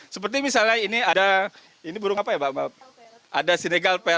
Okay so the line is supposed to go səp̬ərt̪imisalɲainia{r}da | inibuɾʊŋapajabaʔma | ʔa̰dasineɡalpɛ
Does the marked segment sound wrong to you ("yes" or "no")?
yes